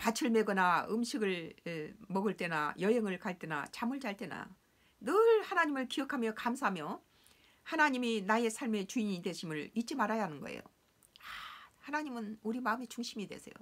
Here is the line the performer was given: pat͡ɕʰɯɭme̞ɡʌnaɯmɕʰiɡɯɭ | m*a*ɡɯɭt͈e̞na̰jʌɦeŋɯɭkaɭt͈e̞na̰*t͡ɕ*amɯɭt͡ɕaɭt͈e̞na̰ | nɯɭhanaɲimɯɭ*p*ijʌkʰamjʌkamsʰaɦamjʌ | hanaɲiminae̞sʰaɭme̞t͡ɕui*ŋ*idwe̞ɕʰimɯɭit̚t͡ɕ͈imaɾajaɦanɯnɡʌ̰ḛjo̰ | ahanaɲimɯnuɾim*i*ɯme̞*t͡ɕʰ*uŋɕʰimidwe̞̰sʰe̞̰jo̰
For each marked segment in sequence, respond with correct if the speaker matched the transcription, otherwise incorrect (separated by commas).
incorrect, correct, incorrect, incorrect, incorrect, incorrect